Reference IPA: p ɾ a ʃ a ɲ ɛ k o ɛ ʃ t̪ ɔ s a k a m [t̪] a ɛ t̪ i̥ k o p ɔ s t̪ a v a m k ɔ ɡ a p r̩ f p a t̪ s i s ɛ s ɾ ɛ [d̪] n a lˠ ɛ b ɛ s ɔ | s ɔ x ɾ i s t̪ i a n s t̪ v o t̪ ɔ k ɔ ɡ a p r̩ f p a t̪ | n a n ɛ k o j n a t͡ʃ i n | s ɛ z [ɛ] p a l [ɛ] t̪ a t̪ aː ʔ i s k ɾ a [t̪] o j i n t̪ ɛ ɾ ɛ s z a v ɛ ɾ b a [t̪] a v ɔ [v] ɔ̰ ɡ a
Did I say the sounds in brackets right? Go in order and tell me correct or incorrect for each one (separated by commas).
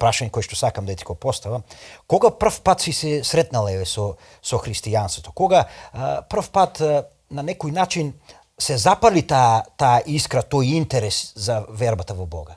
incorrect, incorrect, incorrect, incorrect, correct, correct, incorrect